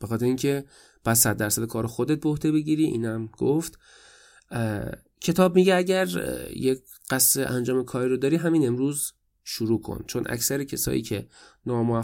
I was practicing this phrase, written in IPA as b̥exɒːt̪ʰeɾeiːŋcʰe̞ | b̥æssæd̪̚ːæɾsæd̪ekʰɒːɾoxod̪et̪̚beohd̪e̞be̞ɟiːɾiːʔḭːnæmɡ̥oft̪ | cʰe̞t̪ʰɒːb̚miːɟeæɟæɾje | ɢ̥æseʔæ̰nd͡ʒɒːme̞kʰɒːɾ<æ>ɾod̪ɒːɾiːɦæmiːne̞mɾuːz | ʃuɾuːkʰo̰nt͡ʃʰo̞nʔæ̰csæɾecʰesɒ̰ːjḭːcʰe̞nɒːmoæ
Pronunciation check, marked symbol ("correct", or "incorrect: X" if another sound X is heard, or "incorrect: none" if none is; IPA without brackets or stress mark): incorrect: i